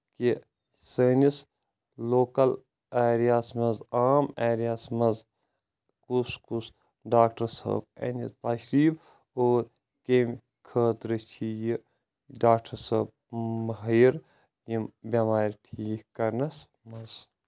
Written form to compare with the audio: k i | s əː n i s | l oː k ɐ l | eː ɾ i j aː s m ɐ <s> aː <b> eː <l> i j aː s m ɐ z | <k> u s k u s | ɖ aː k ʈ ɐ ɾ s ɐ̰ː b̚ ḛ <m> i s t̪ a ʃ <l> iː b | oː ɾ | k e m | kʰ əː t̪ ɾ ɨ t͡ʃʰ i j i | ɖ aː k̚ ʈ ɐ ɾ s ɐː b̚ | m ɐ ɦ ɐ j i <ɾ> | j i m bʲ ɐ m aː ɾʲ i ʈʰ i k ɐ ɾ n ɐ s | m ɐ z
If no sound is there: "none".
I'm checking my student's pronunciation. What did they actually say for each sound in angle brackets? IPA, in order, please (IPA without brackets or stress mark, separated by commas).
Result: z, m, ɾ, k, n, ɾ, ɾ